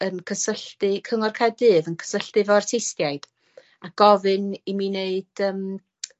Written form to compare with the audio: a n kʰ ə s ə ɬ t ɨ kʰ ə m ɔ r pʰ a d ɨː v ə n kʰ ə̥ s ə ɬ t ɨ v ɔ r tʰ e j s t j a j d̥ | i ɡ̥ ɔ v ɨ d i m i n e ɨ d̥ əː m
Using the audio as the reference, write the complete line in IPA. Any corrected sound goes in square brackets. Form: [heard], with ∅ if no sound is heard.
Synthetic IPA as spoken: [ə] n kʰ ə s ə ɬ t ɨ kʰ ə [ŋ] ɔ r [kʰ] a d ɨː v ə n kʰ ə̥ s ə ɬ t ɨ v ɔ r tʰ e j s t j a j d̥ | [a] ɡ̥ ɔ v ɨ [n] i m i n e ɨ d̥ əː m